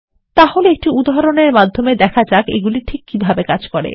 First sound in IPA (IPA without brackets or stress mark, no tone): t̪